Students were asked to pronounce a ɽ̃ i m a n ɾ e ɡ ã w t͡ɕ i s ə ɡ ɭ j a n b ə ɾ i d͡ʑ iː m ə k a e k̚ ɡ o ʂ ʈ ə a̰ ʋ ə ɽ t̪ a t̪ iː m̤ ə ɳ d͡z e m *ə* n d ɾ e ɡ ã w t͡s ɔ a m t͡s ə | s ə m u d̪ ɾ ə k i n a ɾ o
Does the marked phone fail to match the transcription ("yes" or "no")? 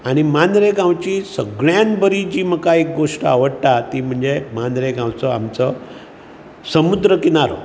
yes